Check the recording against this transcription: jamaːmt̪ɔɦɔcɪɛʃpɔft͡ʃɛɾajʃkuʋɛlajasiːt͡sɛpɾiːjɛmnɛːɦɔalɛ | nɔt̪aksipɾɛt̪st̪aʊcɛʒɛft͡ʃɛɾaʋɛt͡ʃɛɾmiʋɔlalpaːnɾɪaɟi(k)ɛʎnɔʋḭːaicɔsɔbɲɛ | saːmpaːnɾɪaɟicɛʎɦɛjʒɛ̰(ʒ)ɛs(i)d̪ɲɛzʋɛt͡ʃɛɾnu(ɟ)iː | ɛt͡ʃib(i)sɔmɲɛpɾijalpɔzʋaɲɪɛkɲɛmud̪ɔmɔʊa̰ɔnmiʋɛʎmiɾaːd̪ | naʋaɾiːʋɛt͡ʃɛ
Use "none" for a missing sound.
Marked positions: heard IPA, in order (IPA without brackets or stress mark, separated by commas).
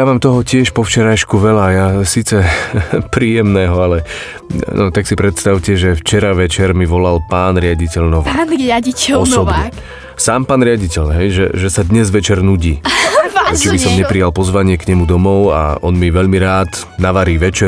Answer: c, ʒ, a, ɟ, i